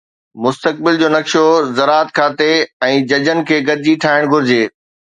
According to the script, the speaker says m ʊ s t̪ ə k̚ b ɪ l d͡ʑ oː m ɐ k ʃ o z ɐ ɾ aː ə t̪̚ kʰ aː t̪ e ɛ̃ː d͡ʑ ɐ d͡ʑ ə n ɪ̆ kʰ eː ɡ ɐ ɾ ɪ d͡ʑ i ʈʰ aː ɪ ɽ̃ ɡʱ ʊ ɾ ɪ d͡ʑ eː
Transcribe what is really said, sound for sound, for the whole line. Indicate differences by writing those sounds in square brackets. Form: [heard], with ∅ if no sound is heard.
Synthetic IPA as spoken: m ʊ s t̪ ə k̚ b ɪ l d͡ʑ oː [n] ɐ k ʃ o z ɐ ɾ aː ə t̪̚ kʰ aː t̪ e ɛ̃ː d͡ʑ ɐ d͡ʑ ə n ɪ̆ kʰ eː ɡ ɐ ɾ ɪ d͡ʑ i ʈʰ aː ɪ ɽ̃ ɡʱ ʊ ɾ ɪ d͡ʑ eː